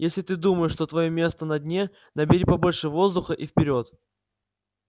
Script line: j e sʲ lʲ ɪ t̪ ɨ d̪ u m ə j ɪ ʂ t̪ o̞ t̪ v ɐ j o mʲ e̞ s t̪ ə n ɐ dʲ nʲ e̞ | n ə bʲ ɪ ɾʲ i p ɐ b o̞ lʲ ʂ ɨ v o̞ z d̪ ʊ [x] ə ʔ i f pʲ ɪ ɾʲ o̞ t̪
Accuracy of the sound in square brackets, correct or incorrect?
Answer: correct